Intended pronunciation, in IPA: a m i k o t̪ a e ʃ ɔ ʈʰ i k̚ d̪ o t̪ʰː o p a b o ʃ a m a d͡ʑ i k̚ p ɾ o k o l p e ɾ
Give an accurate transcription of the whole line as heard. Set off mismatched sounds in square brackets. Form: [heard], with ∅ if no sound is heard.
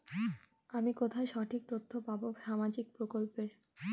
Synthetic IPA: a m i k o [t̪ʰ] a e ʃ ɔ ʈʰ i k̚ [t̪] o t̪ʰː o p a b o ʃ a m a d͡ʑ i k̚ p ɾ o k o l p e ɾ

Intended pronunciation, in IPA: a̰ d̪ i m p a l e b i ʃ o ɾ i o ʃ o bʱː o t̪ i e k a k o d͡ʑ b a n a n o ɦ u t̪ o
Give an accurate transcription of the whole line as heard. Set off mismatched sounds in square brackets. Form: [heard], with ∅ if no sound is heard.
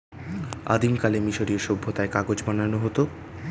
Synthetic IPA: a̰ d̪ i m [k] a l e [m] i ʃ o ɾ i o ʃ o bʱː o t̪ [a] e k a [ɡ] o d͡ʑ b a n a n o ɦ [o] t̪ o

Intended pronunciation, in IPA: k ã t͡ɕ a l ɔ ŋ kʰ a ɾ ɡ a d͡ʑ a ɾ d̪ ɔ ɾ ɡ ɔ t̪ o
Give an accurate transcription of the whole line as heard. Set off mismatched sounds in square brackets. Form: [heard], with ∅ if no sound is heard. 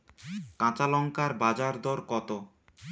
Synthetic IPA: k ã t͡ɕ a l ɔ ŋ [k] a ɾ [b] a d͡ʑ a ɾ d̪ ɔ ɾ [k] ɔ t̪ o

